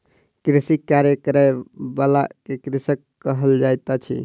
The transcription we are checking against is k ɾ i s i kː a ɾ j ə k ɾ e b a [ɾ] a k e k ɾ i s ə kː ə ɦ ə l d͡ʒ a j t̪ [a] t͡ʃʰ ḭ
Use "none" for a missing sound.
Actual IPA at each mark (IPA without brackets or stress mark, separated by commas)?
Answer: l, a